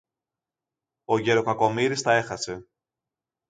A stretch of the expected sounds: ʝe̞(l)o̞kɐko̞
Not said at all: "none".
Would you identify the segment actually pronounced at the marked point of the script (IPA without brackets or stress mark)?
ɾ